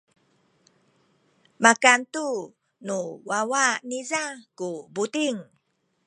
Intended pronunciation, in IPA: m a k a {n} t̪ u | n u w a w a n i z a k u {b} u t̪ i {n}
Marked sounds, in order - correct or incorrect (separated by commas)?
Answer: correct, correct, incorrect